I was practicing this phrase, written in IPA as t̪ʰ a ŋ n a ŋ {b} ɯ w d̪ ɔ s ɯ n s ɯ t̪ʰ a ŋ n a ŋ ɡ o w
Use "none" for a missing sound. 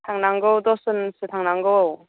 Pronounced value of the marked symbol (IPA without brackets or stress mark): ɡ